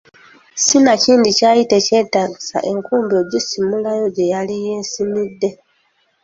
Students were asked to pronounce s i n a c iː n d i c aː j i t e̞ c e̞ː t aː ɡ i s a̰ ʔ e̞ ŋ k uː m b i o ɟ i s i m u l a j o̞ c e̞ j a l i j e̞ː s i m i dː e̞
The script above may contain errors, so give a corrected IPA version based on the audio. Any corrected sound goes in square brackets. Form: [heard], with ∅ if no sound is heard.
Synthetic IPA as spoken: s i n a c iː n d i c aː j i t e̞ c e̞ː t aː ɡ i s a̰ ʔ e̞ ŋ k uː m b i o ɟ i s i m u l a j o̞ [ɟ] e̞ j a l i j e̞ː s i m i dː e̞